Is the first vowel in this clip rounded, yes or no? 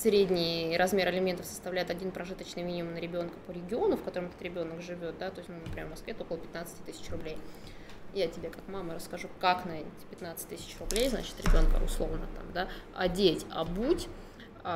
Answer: no